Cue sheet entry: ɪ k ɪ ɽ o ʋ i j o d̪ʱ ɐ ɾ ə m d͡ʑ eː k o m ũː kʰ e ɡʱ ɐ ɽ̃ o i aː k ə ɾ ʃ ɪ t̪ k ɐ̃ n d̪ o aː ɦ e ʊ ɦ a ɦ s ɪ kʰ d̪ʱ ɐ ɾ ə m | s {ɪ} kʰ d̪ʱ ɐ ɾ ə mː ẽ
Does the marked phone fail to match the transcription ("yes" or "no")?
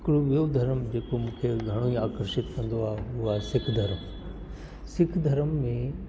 no